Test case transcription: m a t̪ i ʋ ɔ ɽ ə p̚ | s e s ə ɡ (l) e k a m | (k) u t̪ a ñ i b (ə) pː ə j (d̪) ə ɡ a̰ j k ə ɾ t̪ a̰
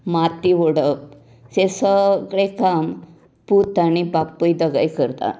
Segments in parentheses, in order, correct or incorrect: incorrect: ɭ, incorrect: p, incorrect: a, correct

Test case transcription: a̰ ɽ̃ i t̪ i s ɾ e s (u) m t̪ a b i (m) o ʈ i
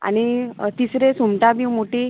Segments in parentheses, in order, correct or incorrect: correct, correct

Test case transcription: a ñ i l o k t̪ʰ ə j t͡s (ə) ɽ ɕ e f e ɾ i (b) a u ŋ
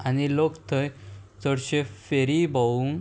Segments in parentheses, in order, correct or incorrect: correct, correct

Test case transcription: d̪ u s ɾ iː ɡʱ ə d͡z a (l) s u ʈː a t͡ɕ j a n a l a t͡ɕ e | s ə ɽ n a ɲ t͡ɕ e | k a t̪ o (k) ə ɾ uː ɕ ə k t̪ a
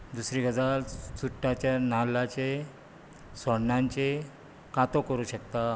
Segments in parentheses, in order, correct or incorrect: correct, correct

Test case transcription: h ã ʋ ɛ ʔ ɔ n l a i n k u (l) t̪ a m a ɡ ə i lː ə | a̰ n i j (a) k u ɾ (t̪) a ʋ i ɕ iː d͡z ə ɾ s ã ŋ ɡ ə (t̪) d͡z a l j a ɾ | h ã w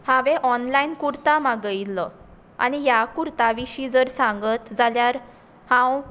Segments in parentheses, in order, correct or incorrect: incorrect: ɾ, correct, correct, correct

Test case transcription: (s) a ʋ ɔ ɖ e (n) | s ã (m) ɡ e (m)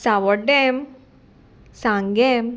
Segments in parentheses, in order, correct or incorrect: correct, incorrect: m, incorrect: ŋ, correct

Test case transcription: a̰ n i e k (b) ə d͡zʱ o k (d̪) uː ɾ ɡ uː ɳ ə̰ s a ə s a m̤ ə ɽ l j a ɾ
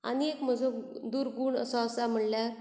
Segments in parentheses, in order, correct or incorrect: incorrect: m, correct

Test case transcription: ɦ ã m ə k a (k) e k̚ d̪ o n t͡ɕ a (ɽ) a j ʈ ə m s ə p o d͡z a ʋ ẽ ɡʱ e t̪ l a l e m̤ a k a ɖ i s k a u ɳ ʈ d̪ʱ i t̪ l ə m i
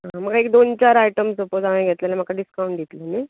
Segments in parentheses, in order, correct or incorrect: incorrect: none, incorrect: ɾ

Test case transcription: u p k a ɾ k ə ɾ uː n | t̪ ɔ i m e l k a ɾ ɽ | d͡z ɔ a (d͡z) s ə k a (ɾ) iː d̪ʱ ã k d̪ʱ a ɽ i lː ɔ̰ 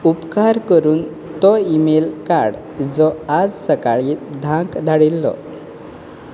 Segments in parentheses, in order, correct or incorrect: correct, incorrect: ɭ

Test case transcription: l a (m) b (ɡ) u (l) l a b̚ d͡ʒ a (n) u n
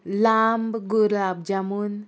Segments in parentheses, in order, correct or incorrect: correct, correct, incorrect: ɾ, incorrect: m

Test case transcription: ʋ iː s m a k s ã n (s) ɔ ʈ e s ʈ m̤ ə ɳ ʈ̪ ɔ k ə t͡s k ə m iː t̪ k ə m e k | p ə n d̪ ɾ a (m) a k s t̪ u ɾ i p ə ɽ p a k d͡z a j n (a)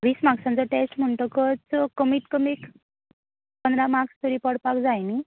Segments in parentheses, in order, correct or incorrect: incorrect: t͡s, correct, incorrect: i

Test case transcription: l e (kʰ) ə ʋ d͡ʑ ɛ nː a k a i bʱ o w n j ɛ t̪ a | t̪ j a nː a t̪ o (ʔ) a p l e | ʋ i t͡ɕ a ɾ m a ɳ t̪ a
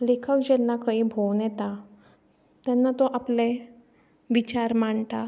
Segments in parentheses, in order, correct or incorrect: correct, correct

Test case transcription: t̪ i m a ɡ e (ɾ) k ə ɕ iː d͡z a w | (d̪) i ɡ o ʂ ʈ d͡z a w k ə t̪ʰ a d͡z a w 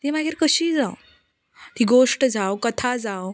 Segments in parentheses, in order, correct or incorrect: correct, incorrect: t̪

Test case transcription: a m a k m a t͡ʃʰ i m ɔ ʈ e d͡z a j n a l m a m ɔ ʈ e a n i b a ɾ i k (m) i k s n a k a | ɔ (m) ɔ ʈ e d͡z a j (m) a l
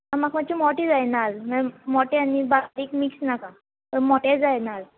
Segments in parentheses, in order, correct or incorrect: correct, correct, incorrect: n

